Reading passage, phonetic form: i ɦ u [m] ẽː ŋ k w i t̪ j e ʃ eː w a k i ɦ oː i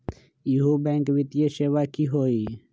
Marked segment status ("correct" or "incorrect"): incorrect